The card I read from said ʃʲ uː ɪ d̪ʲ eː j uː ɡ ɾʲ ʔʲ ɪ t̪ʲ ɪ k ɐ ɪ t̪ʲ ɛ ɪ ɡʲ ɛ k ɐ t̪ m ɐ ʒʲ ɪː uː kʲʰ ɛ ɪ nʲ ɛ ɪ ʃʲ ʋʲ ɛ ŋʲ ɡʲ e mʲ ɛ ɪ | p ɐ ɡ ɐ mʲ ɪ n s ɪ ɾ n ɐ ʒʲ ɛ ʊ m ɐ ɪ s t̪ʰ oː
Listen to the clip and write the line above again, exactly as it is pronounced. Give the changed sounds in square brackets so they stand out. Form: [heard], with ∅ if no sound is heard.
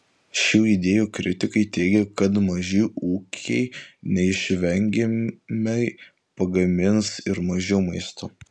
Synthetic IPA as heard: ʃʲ uː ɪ d̪ʲ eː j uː [k] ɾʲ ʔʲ ɪ t̪ʲ ɪ k ɐ ɪ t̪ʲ ɛ ɪ ɡʲ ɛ k ɐ t̪ m ɐ ʒʲ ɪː uː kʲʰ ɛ ɪ nʲ ɛ ɪ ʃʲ ʋʲ ɛ ŋʲ ɡʲ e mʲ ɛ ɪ | p ɐ ɡ ɐ mʲ ɪ n s ɪ ɾ [m] ɐ ʒʲ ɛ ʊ m ɐ ɪ s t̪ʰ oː